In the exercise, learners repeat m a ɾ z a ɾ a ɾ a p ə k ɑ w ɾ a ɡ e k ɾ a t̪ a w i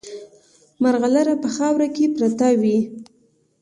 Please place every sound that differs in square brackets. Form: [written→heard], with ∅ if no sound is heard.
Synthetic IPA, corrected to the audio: m a ɾ [z→ɣ] a [ɾ→l] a ɾ a p ə [k→x] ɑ w ɾ a [ɡ→k] e [k→p] ɾ a t̪ a w i